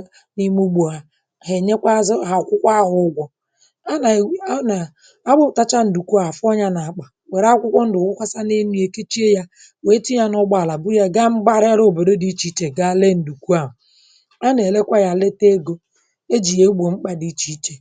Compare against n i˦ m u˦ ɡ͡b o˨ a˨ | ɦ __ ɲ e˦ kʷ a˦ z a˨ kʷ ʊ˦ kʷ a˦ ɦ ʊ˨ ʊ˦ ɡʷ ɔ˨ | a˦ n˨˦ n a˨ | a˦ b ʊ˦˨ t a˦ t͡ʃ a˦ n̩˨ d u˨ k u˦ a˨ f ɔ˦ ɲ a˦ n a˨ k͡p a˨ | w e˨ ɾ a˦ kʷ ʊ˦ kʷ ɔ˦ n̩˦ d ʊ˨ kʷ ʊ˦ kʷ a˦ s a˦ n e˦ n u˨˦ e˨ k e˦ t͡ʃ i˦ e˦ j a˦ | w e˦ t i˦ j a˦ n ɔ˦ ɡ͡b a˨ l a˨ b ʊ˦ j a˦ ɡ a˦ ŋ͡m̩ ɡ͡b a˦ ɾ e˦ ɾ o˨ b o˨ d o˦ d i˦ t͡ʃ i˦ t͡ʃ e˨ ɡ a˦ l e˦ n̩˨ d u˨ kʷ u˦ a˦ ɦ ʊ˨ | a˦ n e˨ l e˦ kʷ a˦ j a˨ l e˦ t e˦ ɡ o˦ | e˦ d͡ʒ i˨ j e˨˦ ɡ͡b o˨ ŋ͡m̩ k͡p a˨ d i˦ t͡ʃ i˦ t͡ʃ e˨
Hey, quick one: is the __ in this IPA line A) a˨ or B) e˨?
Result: B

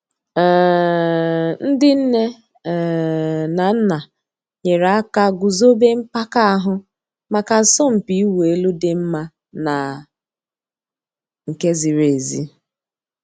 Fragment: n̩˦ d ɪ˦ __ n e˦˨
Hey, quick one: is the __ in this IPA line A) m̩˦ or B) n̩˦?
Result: B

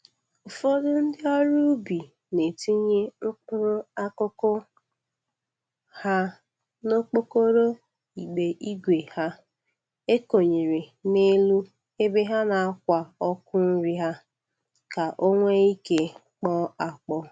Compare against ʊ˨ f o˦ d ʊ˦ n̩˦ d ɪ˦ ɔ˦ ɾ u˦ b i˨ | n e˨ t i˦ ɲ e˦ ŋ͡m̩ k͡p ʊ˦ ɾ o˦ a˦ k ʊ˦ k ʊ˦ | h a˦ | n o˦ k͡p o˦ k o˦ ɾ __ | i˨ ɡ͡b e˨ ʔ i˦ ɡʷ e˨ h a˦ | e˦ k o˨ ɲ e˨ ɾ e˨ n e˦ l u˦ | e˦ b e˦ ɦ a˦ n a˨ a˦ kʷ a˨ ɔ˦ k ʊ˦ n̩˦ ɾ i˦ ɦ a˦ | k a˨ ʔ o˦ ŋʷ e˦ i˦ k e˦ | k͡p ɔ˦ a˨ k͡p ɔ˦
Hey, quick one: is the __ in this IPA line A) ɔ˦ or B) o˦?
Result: B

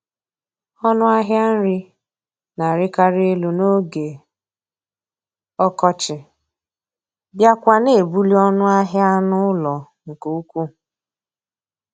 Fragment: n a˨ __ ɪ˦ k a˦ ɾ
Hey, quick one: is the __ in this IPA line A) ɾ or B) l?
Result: A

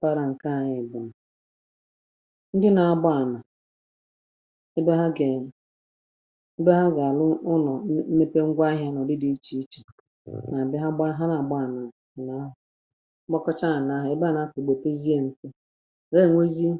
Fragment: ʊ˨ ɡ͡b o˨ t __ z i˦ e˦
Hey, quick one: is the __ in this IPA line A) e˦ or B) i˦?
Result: A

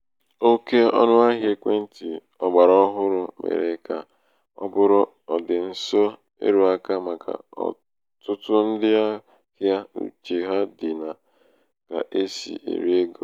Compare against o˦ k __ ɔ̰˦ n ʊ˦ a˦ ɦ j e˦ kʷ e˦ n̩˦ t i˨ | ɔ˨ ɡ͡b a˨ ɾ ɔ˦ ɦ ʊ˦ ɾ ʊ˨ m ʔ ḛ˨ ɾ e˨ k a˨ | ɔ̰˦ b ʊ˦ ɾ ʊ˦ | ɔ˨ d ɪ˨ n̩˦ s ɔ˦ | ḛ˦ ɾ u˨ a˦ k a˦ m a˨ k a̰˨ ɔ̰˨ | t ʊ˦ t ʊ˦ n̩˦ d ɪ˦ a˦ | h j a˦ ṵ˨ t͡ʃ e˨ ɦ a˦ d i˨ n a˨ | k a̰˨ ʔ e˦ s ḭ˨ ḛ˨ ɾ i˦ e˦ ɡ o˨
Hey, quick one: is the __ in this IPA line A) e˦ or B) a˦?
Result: A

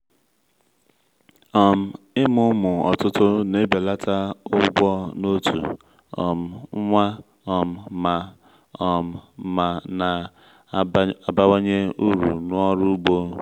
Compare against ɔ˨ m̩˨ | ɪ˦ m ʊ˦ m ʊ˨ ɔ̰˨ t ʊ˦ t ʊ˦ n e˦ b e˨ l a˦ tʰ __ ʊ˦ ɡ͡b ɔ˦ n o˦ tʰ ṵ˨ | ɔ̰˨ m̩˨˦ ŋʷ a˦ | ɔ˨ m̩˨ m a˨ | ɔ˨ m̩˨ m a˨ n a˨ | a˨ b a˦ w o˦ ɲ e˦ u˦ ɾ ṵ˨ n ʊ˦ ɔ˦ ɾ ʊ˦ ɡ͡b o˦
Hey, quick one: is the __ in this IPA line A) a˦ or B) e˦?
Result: A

